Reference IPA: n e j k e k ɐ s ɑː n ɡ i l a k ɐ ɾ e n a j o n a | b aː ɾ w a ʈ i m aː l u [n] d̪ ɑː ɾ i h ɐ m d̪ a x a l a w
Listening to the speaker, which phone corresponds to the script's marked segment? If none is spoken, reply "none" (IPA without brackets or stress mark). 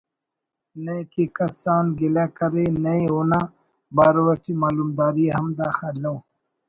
m